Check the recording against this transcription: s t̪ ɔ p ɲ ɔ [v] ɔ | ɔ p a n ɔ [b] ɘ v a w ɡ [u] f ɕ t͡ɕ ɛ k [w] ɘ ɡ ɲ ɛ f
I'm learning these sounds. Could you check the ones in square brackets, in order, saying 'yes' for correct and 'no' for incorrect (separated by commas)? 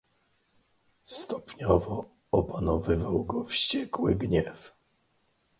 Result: yes, no, no, yes